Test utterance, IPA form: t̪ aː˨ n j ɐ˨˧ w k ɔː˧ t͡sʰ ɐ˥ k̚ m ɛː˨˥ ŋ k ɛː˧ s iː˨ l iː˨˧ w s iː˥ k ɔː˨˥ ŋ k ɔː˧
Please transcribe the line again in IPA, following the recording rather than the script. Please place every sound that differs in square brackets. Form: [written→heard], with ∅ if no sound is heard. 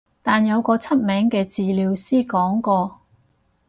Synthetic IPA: t̪ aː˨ n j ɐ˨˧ w k ɔː˧ t͡sʰ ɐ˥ [k̚→t̚] m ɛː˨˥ ŋ k ɛː˧ [s→t͡s] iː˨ l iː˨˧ w s iː˥ k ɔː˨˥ ŋ k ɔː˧

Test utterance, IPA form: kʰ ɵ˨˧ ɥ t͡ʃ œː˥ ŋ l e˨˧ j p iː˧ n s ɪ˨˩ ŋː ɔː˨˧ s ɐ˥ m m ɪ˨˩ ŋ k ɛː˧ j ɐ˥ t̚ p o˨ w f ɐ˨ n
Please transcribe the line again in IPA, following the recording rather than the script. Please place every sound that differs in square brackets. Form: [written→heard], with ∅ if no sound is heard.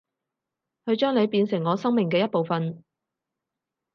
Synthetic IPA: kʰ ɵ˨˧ ɥ t͡ʃ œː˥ ŋ l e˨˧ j p iː˧ n s ɪ˨˩ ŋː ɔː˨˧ s ɐ˥ [m→ŋ] m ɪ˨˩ ŋ k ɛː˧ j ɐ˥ t̚ p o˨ w f ɐ˨ n

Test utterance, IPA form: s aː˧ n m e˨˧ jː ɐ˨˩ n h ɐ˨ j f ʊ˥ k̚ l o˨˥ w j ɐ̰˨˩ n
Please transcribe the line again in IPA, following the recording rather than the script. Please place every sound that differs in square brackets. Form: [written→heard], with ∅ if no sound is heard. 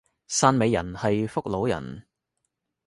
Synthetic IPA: s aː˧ n m e˨˧ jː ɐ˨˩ n h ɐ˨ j f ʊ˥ k̚ l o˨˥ w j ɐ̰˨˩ n

